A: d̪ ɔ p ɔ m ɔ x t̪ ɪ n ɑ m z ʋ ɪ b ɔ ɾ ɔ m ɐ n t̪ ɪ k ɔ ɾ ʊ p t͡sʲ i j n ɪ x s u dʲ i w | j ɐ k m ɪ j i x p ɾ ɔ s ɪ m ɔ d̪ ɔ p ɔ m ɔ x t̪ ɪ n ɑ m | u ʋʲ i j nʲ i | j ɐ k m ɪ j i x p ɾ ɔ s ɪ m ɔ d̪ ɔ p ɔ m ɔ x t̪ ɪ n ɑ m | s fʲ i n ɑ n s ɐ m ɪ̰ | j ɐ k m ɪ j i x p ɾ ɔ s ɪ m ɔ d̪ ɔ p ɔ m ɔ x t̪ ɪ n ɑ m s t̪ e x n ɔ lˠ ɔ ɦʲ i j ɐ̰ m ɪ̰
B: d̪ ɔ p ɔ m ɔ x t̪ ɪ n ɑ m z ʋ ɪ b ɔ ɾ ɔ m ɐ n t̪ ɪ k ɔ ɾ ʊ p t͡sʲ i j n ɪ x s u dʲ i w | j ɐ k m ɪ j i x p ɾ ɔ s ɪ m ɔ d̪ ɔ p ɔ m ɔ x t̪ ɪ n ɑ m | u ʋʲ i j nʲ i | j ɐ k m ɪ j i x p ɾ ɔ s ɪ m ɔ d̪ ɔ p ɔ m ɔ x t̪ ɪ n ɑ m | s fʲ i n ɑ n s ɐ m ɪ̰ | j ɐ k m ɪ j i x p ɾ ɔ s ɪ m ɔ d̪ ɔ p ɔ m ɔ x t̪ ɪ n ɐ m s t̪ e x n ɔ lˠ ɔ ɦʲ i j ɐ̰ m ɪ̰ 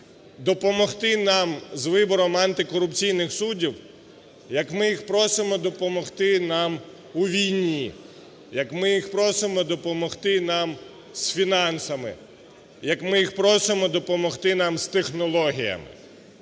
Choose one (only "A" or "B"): A